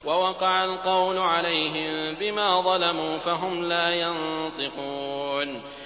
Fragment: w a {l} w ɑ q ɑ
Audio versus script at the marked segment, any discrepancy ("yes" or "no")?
yes